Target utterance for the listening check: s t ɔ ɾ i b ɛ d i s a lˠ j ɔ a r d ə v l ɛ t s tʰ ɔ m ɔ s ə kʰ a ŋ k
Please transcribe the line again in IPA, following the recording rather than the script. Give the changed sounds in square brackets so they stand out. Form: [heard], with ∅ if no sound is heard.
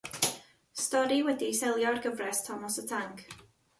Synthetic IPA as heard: s t ɔ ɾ i [w] ɛ d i s [ɛ] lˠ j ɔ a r [ɡ] ə v [r] ɛ [∅] s tʰ ɔ m ɔ s ə [tʰ] a ŋ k